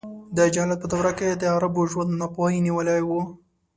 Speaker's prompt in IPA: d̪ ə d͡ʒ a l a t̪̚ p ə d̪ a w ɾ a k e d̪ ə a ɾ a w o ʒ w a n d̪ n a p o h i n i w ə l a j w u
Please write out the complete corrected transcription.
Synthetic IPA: d̪ ə d͡ʒ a l a t̪̚ p ə d̪ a w ɾ a k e d̪ ə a ɾ a b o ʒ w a n d̪ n a p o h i n i w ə l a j w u